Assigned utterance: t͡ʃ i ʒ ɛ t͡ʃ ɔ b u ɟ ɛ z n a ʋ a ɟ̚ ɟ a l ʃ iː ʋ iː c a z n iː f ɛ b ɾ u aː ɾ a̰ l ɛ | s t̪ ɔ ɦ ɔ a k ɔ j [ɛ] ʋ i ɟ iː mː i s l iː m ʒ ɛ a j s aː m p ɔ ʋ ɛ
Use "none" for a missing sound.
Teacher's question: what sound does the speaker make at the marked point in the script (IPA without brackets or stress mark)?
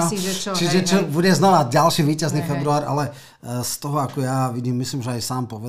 a